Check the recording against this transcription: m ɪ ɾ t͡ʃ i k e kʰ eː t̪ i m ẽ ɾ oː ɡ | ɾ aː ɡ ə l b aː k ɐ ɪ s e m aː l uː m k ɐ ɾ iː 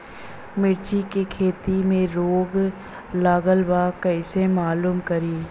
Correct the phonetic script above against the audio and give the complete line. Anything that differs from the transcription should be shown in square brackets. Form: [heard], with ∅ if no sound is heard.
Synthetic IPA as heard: m ɪ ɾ t͡ʃ i k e kʰ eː t̪ i m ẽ ɾ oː ɡ | [l] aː ɡ ə l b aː k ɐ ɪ s e m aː l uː m k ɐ ɾ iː